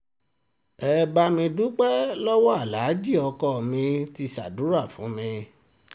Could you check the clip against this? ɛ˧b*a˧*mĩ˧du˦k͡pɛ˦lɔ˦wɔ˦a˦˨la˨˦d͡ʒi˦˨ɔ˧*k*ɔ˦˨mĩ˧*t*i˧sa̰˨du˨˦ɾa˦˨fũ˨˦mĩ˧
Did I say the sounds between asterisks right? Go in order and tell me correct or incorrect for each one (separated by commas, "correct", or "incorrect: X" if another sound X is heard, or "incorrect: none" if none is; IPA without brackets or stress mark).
correct, correct, correct